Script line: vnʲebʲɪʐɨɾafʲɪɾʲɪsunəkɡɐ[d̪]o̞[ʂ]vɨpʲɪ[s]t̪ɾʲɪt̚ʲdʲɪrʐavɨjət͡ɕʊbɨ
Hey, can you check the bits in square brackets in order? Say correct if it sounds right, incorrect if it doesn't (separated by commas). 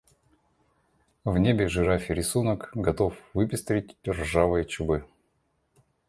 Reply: incorrect, incorrect, correct